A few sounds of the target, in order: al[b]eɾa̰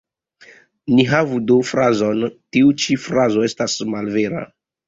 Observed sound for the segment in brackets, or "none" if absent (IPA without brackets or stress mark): v